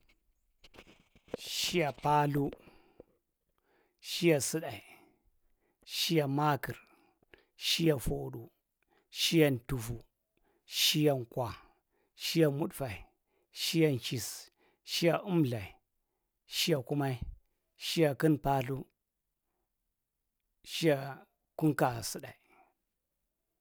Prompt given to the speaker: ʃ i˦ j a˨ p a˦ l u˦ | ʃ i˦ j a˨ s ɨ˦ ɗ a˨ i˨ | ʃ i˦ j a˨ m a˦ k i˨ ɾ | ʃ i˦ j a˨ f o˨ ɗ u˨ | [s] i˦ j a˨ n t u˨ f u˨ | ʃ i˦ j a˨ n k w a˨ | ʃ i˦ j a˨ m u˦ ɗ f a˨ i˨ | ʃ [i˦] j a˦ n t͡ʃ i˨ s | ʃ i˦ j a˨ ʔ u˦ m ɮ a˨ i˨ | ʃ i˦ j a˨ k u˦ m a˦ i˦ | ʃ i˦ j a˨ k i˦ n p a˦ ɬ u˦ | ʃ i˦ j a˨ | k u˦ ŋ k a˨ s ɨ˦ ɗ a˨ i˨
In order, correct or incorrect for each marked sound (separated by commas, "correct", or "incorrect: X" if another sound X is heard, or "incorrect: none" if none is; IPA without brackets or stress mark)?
incorrect: ʃ, correct